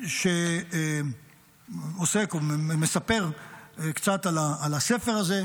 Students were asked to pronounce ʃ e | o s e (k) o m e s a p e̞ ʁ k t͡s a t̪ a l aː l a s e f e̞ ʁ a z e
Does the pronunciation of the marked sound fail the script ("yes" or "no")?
no